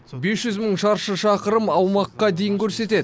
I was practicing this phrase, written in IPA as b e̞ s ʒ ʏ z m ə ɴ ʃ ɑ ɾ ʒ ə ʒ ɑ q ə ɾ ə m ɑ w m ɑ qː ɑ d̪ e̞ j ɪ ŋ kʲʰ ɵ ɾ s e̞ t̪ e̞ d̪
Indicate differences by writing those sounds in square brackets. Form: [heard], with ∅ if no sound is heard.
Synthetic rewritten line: b e̞ s ʒ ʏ z m ə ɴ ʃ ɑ ɾ [ʃ] ə [ʃ] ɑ q ə ɾ ə m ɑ w m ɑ qː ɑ d̪ e̞ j ɪ ŋ kʲʰ ɵ ɾ s e̞ t̪ e̞ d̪